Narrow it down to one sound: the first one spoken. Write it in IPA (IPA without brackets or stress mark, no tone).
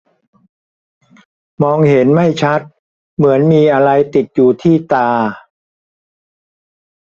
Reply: m